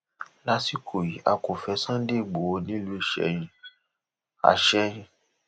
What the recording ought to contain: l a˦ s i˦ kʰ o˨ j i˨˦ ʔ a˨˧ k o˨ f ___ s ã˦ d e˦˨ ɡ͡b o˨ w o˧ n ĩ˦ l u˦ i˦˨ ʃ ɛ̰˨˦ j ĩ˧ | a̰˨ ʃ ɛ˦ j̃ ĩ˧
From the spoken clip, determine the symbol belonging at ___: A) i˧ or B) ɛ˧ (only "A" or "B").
B